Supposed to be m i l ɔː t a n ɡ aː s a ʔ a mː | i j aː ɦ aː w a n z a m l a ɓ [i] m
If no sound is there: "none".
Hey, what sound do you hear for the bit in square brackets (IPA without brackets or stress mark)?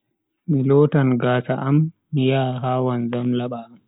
a